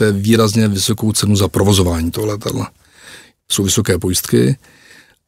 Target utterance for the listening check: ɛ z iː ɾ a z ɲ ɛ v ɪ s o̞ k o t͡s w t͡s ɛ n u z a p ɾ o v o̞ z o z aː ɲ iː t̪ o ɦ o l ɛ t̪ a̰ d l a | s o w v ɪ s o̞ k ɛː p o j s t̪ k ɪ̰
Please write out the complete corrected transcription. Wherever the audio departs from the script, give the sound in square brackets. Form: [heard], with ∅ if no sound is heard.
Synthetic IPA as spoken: ɛ [v] iː ɾ a z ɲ ɛ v ɪ s o̞ k o [∅] w t͡s ɛ n u z a p ɾ o v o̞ z o [v] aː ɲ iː t̪ o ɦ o l ɛ t̪ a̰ d l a | s o w v ɪ s o̞ k ɛː p o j s t̪ k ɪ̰